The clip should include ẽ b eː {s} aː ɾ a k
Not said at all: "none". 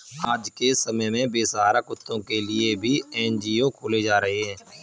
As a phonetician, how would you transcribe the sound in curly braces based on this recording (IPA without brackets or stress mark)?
s